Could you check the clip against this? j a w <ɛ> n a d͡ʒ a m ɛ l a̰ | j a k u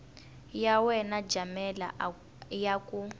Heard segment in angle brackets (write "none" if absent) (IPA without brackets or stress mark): ɛ